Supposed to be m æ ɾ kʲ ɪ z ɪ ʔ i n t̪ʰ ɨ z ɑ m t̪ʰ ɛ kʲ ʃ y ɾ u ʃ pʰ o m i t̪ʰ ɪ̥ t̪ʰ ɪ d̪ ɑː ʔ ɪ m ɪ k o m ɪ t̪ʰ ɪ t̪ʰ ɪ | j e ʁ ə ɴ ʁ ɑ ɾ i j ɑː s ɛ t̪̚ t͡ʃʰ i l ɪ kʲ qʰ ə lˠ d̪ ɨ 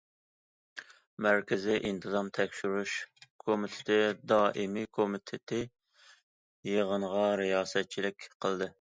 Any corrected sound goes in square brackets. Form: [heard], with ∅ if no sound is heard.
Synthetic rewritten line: m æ ɾ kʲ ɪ z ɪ ʔ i n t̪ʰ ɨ z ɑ m t̪ʰ ɛ kʲ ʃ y ɾ u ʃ [kʰ] o m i t̪ʰ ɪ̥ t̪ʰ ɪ d̪ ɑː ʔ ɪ m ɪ [kʰ] o m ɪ t̪ʰ ɪ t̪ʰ ɪ | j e ʁ ə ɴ ʁ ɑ ɾ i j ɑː s ɛ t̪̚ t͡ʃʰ i l ɪ kʲ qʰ ə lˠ d̪ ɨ